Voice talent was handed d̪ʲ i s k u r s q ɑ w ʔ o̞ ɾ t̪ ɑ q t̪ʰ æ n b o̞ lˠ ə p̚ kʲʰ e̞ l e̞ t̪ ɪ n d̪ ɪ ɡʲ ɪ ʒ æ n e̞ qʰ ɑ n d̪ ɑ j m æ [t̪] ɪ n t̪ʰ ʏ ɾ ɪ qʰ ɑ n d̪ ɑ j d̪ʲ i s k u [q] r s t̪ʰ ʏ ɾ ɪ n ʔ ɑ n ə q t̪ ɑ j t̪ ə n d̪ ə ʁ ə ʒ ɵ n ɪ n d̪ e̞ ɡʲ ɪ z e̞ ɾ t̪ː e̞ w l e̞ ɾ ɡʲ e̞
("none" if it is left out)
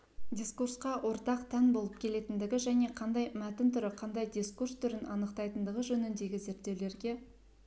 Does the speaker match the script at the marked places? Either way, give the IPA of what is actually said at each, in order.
t̪, none

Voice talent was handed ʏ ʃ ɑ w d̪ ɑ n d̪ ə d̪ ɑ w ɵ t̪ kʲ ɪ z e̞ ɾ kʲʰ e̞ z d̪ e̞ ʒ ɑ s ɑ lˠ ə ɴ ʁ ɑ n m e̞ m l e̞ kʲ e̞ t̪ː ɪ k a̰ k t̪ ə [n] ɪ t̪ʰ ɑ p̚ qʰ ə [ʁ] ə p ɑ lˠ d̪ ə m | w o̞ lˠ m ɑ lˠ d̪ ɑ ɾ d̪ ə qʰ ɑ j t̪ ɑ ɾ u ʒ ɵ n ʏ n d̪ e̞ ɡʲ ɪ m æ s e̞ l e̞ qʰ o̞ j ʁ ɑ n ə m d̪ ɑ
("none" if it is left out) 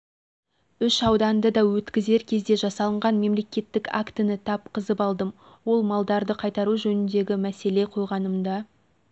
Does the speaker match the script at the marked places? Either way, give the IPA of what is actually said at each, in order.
n, z

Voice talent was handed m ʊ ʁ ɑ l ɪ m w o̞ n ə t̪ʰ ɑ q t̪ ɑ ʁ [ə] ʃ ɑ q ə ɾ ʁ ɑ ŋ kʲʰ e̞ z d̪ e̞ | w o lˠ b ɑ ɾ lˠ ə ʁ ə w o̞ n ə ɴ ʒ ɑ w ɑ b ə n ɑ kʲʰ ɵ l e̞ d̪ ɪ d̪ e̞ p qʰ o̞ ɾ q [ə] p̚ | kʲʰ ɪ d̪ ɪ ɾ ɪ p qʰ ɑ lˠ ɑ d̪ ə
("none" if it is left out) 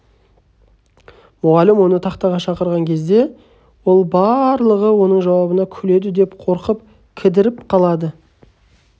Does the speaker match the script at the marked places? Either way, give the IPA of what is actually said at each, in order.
ɑ, ə

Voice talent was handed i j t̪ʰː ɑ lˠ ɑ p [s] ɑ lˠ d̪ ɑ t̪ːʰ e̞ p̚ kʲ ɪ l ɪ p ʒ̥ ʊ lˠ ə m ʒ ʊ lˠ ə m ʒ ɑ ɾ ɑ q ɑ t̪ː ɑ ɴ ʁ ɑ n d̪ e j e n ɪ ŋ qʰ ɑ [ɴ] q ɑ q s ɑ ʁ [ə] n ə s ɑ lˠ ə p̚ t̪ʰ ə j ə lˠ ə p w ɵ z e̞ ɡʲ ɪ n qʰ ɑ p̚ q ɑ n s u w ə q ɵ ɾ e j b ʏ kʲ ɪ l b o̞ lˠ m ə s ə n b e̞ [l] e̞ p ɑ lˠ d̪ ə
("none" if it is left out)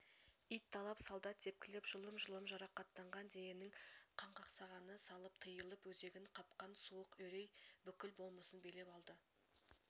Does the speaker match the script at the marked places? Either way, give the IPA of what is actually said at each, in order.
s, ɴ, ɑ, l

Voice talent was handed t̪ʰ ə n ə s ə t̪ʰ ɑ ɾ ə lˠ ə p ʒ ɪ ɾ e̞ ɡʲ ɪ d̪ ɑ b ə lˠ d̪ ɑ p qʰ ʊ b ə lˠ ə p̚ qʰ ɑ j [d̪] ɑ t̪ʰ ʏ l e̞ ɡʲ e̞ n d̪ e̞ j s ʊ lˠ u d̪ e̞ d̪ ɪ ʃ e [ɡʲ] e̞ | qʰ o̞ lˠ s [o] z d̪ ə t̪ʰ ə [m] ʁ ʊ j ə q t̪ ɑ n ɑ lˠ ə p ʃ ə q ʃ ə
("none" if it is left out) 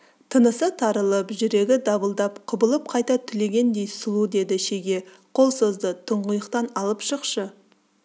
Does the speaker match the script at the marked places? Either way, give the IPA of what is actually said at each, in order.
t̪, ɡʲ, o, ɴ

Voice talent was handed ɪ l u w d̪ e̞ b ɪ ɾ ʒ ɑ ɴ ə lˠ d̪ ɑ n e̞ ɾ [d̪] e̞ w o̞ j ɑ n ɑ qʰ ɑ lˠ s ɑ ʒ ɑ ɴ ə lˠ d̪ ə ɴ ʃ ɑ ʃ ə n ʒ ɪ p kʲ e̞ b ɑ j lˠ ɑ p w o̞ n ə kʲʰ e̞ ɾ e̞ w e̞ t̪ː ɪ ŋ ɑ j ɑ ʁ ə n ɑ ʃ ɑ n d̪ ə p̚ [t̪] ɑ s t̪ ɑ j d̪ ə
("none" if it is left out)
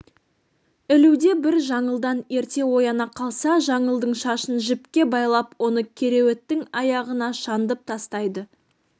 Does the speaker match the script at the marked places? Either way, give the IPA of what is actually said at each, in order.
t̪, t̪ʰ

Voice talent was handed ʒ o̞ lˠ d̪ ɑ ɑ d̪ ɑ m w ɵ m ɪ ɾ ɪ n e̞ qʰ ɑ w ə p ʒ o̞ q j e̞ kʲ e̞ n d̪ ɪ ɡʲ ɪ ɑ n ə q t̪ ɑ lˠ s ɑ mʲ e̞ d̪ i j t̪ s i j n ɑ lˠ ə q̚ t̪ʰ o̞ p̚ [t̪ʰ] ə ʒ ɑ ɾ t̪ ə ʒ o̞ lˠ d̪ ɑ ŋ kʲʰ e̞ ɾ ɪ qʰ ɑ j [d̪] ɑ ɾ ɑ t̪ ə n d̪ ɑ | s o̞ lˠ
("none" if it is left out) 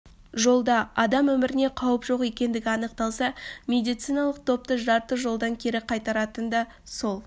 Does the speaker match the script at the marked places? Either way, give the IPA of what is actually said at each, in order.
t̪, t̪

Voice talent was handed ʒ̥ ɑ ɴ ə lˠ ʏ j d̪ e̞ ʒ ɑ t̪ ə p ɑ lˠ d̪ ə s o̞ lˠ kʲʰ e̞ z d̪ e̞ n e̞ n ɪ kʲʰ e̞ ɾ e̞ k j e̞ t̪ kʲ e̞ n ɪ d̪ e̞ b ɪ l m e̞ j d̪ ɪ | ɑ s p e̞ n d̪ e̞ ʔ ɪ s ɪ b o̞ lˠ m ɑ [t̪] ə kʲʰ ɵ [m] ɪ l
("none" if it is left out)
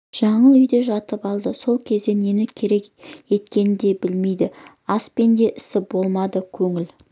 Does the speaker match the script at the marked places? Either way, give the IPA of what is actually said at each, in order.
d̪, ŋ

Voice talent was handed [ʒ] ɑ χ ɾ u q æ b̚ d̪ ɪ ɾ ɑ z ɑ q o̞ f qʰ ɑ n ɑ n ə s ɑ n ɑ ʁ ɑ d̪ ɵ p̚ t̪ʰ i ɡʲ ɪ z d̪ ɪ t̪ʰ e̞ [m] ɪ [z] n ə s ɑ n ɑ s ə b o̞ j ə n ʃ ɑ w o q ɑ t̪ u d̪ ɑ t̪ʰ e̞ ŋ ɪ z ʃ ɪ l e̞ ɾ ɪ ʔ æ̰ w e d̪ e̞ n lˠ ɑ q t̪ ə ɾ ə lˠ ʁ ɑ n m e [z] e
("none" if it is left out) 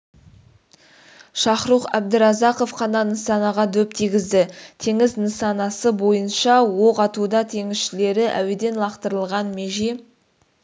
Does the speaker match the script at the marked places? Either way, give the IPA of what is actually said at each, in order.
ʃ, ŋ, z, ʒ

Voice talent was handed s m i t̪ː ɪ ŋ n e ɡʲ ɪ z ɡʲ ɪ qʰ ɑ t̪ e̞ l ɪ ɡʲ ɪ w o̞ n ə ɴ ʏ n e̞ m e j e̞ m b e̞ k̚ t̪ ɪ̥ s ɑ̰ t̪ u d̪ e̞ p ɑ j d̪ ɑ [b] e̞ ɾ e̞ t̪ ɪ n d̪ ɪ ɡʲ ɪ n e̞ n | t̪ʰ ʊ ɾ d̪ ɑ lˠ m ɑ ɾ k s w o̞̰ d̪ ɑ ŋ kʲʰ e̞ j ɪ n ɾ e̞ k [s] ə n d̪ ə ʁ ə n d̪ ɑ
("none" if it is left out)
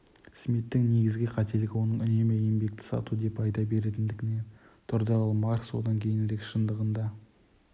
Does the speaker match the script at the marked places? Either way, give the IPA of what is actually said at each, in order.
b, ʃ

